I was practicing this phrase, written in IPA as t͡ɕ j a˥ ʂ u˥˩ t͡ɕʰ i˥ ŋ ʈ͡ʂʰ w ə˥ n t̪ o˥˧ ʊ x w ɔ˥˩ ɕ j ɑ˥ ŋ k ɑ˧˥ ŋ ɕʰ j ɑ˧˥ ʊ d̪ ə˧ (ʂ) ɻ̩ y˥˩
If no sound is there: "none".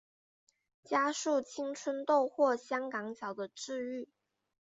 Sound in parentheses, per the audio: ʈ͡ʂ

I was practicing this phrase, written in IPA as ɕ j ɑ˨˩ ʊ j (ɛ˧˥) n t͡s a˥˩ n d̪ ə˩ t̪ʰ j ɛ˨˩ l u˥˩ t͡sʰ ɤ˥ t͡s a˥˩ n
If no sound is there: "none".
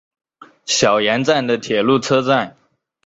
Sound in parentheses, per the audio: ɛ˧˥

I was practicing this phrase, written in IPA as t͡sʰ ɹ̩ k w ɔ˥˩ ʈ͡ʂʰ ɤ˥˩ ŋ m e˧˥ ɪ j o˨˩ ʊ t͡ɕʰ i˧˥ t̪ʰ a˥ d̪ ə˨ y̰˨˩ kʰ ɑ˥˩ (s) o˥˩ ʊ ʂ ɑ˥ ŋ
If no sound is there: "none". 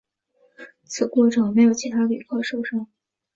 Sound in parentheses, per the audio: ʂ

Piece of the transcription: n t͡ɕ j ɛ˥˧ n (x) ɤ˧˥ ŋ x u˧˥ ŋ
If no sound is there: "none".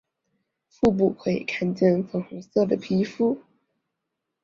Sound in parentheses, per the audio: f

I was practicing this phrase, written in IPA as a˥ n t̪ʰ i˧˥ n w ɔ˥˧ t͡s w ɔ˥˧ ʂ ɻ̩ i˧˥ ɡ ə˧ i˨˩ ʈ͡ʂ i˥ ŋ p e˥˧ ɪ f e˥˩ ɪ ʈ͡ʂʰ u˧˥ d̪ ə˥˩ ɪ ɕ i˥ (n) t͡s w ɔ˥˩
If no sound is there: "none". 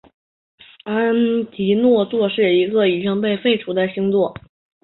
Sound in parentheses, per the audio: ŋ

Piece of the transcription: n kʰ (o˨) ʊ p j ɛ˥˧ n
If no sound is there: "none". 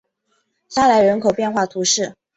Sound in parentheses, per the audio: o˨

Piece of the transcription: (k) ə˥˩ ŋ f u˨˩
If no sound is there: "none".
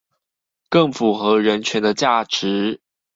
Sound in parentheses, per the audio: k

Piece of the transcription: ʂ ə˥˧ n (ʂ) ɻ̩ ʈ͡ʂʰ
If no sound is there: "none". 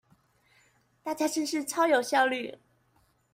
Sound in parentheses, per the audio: ʂ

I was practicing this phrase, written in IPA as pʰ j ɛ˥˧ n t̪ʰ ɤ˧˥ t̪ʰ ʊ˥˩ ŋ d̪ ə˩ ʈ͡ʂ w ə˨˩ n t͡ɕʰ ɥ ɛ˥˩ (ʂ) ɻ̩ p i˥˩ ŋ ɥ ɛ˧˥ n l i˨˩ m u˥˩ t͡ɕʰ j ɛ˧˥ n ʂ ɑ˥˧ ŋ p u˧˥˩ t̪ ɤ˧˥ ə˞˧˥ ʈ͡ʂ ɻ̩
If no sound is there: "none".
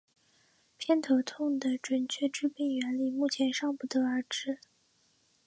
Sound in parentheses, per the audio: ʈ͡ʂ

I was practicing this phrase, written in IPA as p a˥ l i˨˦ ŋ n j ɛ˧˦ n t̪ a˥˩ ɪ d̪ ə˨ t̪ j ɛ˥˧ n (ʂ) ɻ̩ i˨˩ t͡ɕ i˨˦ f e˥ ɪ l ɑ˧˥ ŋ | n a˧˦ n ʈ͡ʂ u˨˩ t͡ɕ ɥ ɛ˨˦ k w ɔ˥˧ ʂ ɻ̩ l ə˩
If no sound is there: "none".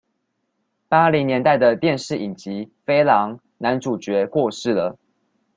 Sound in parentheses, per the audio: ʂ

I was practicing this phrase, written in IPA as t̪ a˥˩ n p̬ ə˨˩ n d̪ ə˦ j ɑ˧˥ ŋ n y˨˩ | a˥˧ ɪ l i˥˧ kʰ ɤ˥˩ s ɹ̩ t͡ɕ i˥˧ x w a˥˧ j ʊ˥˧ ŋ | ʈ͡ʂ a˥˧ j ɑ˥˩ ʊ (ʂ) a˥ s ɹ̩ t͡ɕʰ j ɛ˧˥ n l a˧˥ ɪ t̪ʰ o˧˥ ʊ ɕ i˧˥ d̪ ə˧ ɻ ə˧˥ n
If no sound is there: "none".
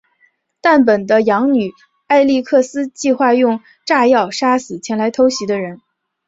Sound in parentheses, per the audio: ʂ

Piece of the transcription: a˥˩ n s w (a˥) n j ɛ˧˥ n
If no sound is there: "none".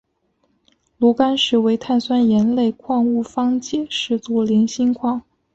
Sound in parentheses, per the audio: a˥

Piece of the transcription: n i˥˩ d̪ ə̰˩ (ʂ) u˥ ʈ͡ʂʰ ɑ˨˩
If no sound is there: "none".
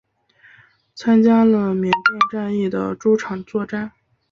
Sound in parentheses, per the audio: ʈ͡ʂ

